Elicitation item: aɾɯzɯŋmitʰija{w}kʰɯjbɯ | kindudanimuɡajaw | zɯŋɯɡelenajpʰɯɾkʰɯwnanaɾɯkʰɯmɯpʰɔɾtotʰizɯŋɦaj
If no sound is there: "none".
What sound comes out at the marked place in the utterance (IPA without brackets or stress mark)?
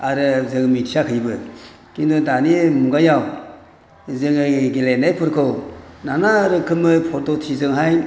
none